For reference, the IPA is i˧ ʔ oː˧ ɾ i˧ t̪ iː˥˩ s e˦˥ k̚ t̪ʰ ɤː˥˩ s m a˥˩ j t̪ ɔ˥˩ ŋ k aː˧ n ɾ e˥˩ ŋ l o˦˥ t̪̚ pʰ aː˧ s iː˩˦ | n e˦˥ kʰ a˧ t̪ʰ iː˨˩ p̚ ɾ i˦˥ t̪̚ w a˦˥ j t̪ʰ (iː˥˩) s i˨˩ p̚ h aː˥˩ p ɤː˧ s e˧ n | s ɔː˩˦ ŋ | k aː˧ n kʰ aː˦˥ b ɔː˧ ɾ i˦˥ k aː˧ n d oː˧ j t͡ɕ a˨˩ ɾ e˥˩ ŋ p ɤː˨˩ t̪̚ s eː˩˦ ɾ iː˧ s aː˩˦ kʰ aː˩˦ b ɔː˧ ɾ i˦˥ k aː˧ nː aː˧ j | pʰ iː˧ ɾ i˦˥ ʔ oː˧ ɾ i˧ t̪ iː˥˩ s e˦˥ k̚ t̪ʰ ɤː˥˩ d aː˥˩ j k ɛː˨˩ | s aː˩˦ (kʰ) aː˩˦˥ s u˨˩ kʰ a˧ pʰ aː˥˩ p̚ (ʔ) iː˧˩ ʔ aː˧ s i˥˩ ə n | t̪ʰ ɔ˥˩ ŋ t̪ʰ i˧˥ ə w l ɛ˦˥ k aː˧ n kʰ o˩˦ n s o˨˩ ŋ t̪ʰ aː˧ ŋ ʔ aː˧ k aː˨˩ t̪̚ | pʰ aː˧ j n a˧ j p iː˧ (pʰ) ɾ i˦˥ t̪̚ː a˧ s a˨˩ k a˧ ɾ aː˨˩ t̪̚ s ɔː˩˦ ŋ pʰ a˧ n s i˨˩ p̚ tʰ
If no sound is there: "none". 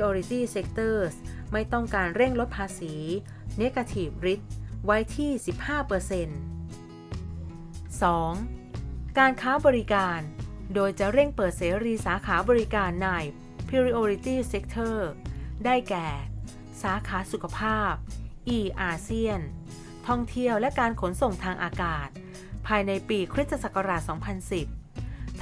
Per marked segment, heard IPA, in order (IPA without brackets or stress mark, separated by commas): iː˥˩, kʰ, ʔ, kʰ